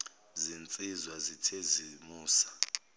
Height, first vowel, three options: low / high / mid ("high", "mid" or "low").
high